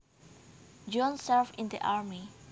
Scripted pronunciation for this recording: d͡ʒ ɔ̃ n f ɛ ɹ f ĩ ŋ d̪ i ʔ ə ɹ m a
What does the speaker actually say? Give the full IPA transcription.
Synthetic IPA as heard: d͡ʒ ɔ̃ n s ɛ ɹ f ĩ n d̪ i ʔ a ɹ m i